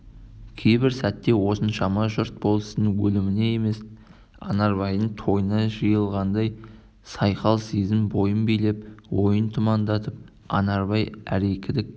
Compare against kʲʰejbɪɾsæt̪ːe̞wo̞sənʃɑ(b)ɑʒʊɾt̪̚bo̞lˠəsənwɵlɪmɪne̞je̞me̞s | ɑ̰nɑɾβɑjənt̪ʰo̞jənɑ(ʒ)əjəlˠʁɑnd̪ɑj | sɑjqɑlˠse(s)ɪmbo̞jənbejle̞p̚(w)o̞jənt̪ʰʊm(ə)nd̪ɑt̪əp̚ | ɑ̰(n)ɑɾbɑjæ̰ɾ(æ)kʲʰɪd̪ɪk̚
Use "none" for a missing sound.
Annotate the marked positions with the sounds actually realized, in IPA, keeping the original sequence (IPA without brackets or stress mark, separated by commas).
m, ʒ, z, w, ɑ, n, e